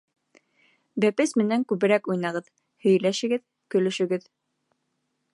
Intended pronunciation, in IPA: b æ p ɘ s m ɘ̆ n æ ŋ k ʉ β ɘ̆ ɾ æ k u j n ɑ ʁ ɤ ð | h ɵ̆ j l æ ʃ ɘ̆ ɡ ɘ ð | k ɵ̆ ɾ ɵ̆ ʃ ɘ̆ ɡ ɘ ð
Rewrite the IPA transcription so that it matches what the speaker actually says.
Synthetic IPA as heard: b æ p ɘ s m ɘ̆ n æ ŋ k ʉ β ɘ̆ ɾ æ k u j n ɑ ʁ ɤ ð | h ɵ̆ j l æ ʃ ɘ̆ ɡ ɘ ð | k ɵ̆ l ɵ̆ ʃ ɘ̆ ɡ ɘ ð

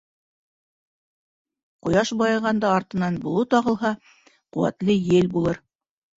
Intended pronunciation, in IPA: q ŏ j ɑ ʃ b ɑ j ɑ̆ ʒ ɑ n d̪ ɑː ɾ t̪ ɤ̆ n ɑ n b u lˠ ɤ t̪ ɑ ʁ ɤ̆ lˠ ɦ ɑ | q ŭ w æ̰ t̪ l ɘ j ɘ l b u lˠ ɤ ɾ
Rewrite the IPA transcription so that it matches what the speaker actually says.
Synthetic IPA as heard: q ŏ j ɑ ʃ b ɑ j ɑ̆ ʁ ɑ n d̪ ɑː ɾ t̪ ɤ̆ n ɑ n b u lˠ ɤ t̪ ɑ ʁ ɤ̆ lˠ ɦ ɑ | q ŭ w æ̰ t̪ l ɘ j ɘ l b u lˠ ɤ ɾ

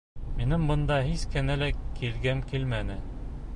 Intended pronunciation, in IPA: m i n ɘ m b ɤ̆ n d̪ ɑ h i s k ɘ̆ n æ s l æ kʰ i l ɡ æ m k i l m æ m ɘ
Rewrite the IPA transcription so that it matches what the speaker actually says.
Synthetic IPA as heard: m i n ɘ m b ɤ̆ n d̪ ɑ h i s k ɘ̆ n æ l æ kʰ i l ɡ æ m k i l m æ n ɘ

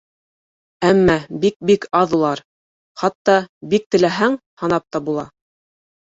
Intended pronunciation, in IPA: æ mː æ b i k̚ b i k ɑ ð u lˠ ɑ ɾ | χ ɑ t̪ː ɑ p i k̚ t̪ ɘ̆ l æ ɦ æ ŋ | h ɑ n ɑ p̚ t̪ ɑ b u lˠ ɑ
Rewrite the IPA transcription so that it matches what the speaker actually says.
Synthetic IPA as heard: æ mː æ b i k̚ b i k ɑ ð u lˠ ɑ ɾ | χ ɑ t̪ː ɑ b i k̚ t̪ ɘ̆ l æ ɦ æ ŋ | h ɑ n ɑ p̚ t̪ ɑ b u lˠ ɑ

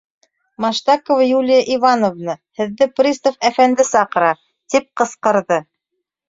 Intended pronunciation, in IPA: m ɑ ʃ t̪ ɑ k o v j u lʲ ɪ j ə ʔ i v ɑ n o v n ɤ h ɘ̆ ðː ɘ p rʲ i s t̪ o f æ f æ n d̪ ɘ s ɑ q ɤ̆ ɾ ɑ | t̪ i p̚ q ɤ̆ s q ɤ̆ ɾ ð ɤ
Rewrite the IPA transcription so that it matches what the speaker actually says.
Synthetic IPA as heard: m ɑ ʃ t̪ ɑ k o v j u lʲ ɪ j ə ʔ i v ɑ n o v n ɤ h ɘ̆ ðː ɘ p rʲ i s t̪ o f æ f æ n d̪ ɘ s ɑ q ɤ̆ ɾ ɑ | t̪ i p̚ q ɤ̆ s q ɤ̆ ɾ ð ɤ

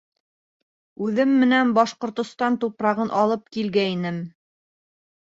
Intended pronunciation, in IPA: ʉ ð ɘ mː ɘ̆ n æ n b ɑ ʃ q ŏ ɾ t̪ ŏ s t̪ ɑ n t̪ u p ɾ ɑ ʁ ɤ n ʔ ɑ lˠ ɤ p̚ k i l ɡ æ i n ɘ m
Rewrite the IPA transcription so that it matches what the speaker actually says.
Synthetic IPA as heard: ʉ ð ɘ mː ɘ̆ n æ n b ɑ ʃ q ŏ ɾ t̪ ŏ s t̪ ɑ n t̪ u p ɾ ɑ ʁ ɤ n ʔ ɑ lˠ ɤ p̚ k i l ɡ æ i n ɘ m

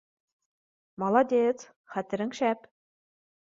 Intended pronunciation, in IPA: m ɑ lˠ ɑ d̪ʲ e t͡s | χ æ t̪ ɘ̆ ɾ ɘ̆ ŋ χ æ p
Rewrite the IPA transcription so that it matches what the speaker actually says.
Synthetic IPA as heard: m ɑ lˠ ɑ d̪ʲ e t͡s | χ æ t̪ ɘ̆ ɾ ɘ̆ ŋ ʃ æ p

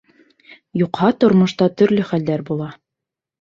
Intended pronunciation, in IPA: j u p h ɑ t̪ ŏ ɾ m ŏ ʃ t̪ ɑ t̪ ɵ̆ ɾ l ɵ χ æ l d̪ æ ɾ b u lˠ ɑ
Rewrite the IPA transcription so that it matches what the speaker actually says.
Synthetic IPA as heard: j u q h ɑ t̪ ŏ ɾ m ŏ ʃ t̪ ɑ t̪ ɵ̆ ɾ l ɵ χ æ l d̪ æ ɾ b u lˠ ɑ

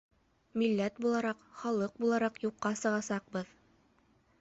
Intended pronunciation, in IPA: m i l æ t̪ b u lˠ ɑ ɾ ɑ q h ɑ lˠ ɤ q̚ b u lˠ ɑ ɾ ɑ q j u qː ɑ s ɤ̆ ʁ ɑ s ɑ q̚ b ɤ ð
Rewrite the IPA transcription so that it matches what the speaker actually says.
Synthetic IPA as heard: m i lː æ t̪ b u lˠ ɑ ɾ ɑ q χ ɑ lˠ ɤ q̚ b u lˠ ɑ ɾ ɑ q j u qː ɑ s ɤ̆ ʁ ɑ s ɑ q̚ b ɤ ð

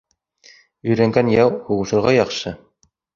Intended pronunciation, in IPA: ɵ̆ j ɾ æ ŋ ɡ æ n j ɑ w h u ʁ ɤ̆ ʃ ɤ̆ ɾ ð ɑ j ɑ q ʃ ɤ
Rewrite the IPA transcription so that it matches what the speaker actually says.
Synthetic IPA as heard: ɵ̆ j ɾ æ ŋ ɡ æ n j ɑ w h u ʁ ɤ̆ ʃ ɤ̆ ɾ ʁ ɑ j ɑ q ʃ ɤ

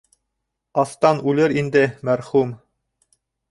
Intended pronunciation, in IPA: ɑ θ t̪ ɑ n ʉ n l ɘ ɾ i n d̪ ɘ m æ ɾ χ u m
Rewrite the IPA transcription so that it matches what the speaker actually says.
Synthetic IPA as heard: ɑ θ t̪ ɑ n ʉ l ɘ ɾ i n d̪ ɘ m æ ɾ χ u m

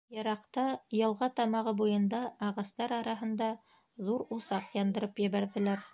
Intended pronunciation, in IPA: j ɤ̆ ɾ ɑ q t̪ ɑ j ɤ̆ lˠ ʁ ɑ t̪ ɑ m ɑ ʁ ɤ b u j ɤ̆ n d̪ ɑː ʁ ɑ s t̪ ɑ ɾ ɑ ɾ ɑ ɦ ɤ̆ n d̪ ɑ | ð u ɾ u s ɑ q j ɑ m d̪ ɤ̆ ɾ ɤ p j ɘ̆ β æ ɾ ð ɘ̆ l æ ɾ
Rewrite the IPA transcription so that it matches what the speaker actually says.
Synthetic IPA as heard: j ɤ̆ ɾ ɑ q t̪ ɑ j ɤ̆ lˠ ʁ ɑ t̪ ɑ m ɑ ʁ ɤ b u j ɤ̆ n d̪ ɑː ʁ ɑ s t̪ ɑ ɾ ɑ ɾ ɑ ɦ ɤ̆ n d̪ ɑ | ð u ɾ u s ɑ q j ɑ n d̪ ɤ̆ ɾ ɤ p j ɘ̆ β æ ɾ ð ɘ̆ l æ ɾ

